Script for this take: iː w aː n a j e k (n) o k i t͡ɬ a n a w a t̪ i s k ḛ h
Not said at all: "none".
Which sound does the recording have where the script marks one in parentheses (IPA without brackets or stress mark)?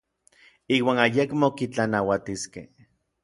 m